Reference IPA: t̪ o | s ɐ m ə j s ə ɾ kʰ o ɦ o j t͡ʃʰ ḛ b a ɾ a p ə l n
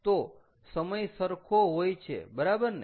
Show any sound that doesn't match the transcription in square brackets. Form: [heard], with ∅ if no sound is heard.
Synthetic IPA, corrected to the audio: t̪ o | s [ə] m ə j s ə ɾ kʰ o ɦ o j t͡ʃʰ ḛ b [ə] ɾ a [b] ə [ɾ] n